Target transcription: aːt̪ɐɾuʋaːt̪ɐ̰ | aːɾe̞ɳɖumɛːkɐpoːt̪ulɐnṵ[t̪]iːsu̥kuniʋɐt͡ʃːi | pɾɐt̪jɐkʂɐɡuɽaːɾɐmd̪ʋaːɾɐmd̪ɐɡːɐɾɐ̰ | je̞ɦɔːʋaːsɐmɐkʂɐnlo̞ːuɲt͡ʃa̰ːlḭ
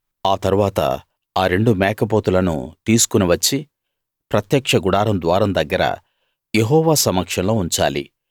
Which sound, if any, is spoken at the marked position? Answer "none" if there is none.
t̪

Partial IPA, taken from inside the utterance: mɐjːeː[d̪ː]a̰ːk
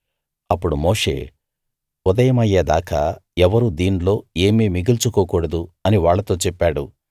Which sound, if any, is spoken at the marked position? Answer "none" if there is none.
d̪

